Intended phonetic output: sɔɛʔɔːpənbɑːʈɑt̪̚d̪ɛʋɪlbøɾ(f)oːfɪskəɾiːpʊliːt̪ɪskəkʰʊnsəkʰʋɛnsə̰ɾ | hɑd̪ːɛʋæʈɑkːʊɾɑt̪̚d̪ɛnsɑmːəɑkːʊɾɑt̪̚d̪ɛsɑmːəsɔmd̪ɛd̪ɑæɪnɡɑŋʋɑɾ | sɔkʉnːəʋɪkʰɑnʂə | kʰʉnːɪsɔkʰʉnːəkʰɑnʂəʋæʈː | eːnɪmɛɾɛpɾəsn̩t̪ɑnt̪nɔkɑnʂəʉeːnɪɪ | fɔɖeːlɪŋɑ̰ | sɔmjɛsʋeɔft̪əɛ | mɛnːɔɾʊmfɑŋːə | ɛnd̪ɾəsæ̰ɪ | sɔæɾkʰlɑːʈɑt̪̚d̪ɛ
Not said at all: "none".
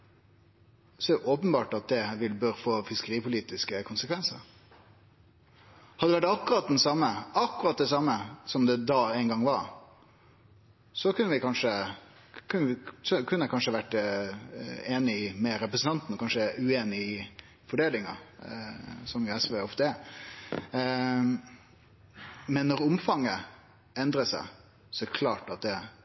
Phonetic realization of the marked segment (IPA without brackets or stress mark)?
f